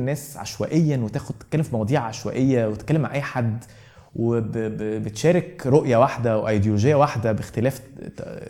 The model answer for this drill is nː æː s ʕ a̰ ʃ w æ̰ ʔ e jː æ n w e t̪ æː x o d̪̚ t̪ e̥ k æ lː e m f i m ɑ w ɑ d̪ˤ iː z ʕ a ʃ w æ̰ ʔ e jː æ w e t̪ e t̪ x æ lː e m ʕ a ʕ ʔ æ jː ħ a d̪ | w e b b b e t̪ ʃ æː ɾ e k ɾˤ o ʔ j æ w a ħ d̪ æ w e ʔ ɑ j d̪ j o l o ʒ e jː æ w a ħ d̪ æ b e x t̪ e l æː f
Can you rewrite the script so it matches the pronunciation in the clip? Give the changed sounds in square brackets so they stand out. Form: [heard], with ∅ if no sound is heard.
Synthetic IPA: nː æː s ʕ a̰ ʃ w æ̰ ʔ e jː æ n w e t̪ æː x o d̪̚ t̪ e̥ k æ lː e m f i m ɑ w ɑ d̪ˤ iː [ʕ] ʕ a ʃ w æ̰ ʔ e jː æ w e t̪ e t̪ [k] æ lː e m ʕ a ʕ ʔ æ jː ħ a d̪ | w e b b b e t̪ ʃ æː ɾ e k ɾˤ o ʔ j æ w a ħ d̪ æ w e ʔ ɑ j d̪ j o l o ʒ e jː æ w a ħ d̪ æ b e x t̪ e l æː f